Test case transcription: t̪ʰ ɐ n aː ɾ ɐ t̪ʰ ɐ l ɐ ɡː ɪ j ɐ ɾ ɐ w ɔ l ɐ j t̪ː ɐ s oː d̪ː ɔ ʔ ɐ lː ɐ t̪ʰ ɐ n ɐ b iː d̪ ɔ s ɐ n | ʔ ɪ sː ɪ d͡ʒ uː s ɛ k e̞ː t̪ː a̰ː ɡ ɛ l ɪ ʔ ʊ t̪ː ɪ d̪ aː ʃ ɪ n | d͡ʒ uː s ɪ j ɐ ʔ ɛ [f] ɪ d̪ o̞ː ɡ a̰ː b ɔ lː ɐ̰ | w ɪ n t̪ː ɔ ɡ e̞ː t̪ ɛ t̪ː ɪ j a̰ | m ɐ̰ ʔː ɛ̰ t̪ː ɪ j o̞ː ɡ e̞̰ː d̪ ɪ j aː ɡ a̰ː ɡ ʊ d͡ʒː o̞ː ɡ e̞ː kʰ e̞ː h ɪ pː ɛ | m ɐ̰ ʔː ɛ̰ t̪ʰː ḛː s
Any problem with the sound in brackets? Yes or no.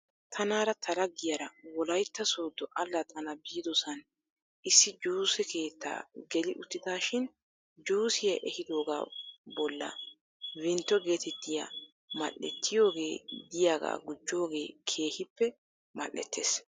yes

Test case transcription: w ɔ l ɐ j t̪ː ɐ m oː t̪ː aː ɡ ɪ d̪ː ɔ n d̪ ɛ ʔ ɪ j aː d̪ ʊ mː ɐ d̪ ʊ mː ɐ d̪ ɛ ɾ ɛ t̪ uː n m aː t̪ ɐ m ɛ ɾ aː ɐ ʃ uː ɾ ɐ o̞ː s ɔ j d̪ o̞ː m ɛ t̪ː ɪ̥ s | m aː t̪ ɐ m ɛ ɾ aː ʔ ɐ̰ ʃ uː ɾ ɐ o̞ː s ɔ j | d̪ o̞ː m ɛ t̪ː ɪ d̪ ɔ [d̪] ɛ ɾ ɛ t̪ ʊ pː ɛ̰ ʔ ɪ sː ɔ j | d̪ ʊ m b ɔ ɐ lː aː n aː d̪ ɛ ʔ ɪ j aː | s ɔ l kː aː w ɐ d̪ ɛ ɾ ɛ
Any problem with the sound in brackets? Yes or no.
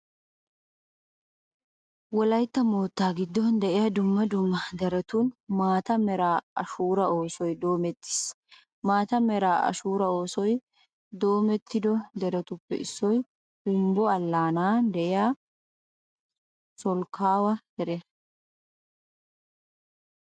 no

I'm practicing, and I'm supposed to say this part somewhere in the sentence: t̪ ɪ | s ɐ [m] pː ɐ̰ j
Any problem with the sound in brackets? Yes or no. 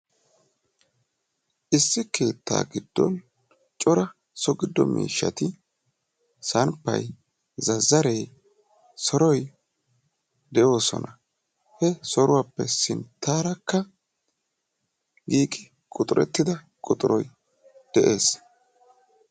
yes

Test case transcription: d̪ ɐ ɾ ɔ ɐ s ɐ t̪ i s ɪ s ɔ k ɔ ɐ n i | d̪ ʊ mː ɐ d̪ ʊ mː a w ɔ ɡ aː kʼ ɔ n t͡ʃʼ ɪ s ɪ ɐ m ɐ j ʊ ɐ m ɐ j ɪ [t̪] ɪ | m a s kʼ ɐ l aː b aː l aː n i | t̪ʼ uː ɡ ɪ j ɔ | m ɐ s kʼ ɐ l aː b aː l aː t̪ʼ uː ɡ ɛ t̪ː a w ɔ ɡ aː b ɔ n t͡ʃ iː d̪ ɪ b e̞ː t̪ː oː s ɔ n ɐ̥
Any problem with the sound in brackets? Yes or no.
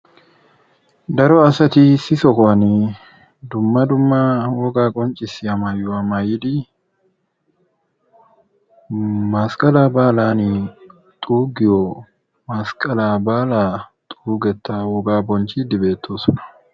yes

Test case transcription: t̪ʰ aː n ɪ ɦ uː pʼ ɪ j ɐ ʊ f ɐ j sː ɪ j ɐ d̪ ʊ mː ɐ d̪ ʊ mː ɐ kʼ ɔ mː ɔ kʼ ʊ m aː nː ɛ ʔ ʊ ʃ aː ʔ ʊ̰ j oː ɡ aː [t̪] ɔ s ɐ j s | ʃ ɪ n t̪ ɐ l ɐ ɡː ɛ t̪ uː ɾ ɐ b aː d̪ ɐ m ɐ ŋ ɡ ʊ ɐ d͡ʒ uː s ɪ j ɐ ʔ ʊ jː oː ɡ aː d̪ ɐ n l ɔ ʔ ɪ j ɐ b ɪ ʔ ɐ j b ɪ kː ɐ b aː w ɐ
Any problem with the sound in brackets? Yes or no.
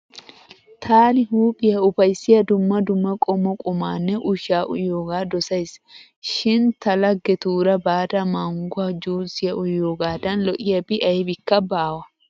yes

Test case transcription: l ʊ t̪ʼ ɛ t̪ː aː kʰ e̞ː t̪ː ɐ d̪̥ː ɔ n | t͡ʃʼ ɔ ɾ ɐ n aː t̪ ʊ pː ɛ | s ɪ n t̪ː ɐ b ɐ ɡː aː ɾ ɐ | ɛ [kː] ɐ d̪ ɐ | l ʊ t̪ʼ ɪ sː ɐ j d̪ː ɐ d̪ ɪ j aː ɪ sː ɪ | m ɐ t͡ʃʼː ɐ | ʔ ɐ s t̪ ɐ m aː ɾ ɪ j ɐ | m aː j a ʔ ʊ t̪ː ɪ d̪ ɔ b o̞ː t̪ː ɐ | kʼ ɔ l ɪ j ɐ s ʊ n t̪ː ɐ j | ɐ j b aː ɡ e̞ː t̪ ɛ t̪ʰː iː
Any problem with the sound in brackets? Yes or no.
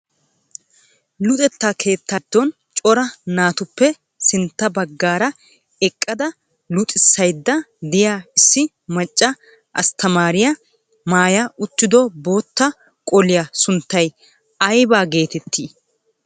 yes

